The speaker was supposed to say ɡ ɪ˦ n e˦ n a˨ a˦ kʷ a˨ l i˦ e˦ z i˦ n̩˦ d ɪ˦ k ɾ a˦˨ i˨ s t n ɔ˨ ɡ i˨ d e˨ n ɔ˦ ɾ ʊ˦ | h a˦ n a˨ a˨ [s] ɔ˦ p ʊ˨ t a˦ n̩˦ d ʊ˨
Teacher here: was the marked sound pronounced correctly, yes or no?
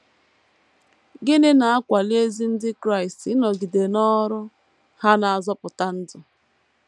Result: no